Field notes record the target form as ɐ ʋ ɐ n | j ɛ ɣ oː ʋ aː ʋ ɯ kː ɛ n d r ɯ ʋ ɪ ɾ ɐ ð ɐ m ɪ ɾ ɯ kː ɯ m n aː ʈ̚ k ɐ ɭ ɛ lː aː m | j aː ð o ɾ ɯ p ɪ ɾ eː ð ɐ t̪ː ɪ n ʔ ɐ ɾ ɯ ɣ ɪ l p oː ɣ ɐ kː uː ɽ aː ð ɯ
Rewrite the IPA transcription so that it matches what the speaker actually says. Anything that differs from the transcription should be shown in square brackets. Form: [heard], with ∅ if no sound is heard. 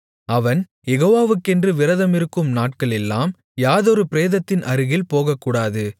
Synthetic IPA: ɐ ʋ ɐ n | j ɛ ɣ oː ʋ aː ʋ ɯ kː ɛ n d r ɯ ʋ ɪ ɾ ɐ ð ɐ m ɪ ɾ ɯ kː ɯ m n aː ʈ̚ k ɐ ɭ ɛ lː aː m | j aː ð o ɾ ɯ p ɪ ɾ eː ð ɐ t̪ː ɪ n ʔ ɐ ɾ ɯ ɣ ɪ l p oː ɣ ɐ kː uː ɽ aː ð ɯ